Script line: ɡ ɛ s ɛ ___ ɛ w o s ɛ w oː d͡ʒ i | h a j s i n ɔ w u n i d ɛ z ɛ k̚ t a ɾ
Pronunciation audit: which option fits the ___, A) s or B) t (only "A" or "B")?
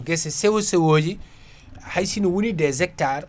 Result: A